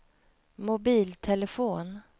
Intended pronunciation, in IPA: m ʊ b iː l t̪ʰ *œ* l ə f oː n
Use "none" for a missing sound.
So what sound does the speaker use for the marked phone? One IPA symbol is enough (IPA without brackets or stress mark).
ɛ